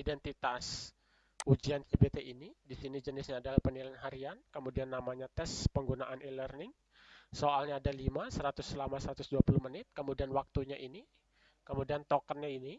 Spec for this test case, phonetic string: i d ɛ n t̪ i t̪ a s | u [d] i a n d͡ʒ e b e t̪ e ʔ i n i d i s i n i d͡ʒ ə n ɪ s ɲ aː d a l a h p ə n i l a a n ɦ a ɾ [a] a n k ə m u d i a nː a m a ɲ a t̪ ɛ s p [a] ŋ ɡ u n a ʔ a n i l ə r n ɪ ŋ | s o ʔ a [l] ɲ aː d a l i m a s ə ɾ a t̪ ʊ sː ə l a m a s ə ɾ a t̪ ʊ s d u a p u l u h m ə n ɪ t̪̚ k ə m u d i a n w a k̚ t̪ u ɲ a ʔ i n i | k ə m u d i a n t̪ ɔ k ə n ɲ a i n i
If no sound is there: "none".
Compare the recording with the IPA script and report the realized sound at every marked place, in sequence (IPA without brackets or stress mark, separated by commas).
d͡ʒ, i, ə, l